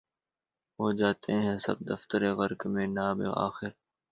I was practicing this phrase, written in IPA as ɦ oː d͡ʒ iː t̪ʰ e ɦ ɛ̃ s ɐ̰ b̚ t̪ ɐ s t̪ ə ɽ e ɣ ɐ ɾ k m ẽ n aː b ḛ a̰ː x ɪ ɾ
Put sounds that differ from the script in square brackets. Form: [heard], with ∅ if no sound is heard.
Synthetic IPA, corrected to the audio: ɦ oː d͡ʒ [aː] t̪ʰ e ɦ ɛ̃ s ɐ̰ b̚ [d̪] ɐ [f] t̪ ə [ɾ] e ɣ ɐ ɾ k m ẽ n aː b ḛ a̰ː x ɪ ɾ